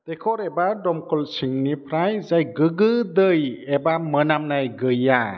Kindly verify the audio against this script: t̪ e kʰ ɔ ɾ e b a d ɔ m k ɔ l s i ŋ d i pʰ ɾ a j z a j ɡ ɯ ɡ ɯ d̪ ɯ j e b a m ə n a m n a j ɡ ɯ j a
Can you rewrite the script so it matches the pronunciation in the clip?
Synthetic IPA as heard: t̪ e kʰ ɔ ɾ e b a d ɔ m k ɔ l s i ŋ n i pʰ ɾ a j z a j ɡ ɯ ɡ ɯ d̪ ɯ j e b a m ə n a m n a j ɡ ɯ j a